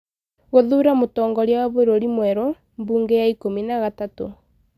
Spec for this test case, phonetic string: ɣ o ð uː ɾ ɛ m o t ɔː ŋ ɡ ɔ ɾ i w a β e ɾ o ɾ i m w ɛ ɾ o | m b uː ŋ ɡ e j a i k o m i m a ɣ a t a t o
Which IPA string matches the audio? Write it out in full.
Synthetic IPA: ɣ o ð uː ɾ a m o t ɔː ŋ ɡ ɔ ɾ a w a β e ɾ o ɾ i m w ɛ ɾ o | m b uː ŋ ɡ e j a i k o m i n a ɣ a t a t o